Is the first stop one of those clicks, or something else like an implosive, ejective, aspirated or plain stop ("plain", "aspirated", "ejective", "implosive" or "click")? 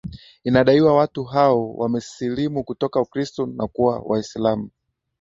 implosive